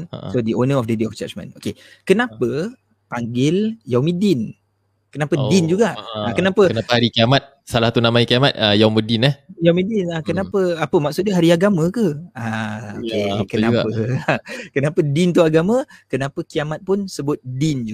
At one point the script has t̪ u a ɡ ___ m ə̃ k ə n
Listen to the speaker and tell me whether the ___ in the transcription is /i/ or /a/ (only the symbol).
a